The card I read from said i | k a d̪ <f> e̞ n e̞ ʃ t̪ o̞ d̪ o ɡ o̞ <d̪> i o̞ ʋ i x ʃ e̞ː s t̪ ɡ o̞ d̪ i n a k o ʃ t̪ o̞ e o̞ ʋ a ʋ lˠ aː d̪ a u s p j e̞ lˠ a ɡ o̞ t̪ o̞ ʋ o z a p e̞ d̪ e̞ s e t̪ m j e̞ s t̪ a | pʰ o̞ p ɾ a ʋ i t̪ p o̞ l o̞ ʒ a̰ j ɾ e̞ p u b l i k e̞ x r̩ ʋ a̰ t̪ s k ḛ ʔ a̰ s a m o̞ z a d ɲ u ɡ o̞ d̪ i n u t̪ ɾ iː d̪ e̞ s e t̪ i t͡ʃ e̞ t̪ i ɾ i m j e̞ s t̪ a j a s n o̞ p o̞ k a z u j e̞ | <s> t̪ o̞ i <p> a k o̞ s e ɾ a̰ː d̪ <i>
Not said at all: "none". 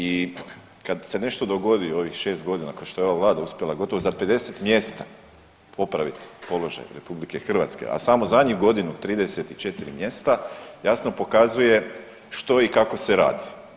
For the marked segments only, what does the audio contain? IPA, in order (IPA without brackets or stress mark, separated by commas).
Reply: s, d̪, ʃ, k, i